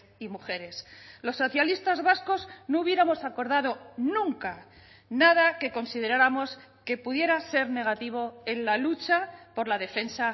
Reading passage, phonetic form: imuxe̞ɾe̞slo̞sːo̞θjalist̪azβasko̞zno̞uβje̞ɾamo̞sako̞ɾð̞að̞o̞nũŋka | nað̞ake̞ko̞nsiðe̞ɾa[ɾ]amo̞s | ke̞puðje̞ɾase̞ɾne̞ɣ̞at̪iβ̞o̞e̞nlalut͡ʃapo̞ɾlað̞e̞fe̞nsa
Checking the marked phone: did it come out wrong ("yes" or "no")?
no